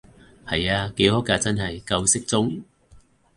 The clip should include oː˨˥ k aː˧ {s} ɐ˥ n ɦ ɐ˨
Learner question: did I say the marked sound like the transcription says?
no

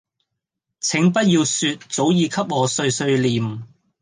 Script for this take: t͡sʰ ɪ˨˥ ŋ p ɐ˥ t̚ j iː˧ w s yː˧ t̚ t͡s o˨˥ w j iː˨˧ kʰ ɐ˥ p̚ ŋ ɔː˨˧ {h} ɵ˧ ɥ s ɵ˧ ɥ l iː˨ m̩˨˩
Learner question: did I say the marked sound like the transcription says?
no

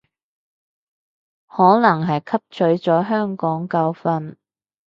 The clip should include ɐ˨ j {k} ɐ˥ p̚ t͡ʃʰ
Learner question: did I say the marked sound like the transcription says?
no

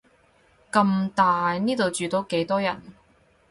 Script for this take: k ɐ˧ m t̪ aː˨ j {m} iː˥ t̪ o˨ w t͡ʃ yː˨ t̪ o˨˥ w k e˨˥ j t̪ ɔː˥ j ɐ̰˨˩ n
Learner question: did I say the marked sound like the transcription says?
no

